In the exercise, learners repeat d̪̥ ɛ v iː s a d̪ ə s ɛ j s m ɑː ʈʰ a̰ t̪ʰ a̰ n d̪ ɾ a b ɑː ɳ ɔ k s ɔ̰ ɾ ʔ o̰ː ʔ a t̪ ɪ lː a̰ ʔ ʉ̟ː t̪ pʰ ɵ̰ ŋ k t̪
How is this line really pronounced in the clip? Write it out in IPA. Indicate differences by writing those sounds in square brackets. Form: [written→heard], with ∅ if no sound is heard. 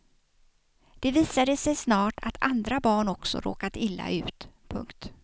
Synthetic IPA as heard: d̪̥ ɛ v iː s a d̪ ə s ɛ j s [m→n] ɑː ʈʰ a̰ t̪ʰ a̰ n d̪ ɾ a b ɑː ɳ ɔ k s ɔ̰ ɾ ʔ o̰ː [ʔ→k] a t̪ ɪ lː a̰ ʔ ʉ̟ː t̪ pʰ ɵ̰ ŋ k t̪